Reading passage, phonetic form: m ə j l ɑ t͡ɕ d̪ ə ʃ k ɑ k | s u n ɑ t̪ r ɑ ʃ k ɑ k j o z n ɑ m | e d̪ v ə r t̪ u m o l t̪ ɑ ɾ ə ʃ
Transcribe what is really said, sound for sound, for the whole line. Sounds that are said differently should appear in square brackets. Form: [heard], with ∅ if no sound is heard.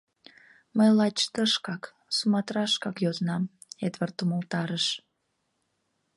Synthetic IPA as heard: m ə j l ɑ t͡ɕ [t̪] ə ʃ k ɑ k | s u [m] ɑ t̪ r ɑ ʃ k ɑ k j o z n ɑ m | e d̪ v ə r t̪ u m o l t̪ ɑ ɾ ə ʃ

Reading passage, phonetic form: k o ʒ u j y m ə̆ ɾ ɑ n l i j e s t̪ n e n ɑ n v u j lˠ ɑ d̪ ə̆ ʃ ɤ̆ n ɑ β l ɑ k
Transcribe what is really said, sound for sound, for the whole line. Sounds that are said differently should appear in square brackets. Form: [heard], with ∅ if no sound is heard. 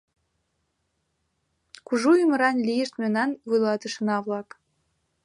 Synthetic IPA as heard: k [u] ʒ u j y m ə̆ ɾ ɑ n l i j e [ʃ] t̪ [m] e n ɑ n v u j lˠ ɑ [t̪] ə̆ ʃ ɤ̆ n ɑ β l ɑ k

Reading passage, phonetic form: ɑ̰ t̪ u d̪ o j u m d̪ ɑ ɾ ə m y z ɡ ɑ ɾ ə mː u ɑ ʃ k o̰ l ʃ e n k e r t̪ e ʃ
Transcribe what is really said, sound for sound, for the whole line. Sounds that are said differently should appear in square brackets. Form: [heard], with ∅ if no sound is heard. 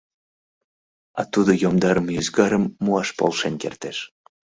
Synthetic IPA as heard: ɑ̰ t̪ u d̪ o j [o] m d̪ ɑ ɾ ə m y z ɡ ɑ ɾ ə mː u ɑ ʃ [p] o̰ l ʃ e n k e r t̪ e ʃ

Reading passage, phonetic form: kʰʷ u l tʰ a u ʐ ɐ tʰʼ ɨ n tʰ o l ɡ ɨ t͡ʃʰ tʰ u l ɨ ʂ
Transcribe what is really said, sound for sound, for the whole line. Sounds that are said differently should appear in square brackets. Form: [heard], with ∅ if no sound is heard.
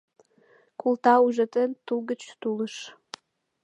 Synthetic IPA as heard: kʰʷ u l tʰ a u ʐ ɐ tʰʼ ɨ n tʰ [u] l ɡ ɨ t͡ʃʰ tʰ u l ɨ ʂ

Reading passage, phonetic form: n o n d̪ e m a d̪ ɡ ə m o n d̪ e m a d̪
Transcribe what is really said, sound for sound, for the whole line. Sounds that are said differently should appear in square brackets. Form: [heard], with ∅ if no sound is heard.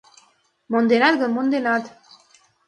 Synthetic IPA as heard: [m] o n d̪ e [n] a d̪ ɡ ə m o n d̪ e [n] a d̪

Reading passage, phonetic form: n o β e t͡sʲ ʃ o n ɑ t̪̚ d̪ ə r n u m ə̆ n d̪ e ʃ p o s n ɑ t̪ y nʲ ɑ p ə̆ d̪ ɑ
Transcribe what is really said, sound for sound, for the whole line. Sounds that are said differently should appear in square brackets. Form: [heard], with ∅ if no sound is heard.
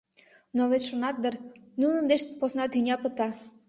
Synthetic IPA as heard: n o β e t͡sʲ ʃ o n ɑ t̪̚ d̪ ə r n u [n] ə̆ n d̪ e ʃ p o s n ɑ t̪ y nʲ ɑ p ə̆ [t̪] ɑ

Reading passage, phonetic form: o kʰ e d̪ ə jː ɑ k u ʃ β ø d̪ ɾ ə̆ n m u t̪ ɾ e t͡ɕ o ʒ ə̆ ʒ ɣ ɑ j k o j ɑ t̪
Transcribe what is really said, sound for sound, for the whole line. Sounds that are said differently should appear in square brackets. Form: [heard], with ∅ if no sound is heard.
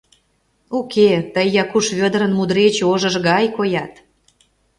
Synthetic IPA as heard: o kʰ e [t̪] ə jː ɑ k u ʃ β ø d̪ ɾ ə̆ n m u [d̪] ɾ e t͡ɕ o ʒ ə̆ ʒ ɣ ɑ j k o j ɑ t̪

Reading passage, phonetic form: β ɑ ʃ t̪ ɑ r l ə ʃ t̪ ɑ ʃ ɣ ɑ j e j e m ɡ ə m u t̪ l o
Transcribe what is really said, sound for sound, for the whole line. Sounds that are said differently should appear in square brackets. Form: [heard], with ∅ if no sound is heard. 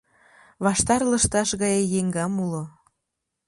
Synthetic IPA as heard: β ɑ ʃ t̪ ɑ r l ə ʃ t̪ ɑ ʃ ɣ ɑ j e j e [ŋ] ɡ [ɑ] m u [∅] l o

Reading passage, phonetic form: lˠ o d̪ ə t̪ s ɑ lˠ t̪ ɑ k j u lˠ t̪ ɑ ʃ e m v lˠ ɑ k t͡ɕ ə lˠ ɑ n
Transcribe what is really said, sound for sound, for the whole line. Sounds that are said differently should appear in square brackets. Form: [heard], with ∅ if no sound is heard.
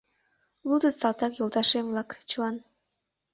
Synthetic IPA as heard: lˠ [u] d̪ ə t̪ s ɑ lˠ t̪ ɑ k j [o] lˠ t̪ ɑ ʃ e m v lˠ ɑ k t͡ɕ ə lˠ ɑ n

